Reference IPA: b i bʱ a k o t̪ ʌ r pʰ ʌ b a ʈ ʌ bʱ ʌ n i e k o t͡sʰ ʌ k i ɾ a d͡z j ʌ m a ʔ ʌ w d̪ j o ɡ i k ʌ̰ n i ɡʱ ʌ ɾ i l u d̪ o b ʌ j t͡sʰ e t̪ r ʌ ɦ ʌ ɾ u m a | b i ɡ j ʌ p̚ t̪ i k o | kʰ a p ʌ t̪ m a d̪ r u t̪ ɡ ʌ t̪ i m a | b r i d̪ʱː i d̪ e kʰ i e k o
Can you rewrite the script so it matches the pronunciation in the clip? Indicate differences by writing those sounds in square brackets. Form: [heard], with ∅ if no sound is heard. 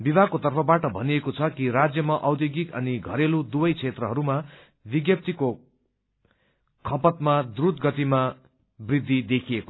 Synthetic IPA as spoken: b i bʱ a k o t̪ ʌ r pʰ ʌ b a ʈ ʌ bʱ ʌ n i e k o t͡sʰ ʌ k i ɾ a d͡z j ʌ m a ʔ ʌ w d̪ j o ɡ i k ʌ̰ n i ɡʱ ʌ ɾ [e] l u d̪ [u] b ʌ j t͡sʰ e t̪ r ʌ ɦ ʌ ɾ u m a | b i ɡ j ʌ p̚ t̪ i k o | kʰ [ʌ] p ʌ t̪ m a d̪ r u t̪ ɡ ʌ t̪ i m a | b r i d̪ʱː i d̪ e kʰ i e k o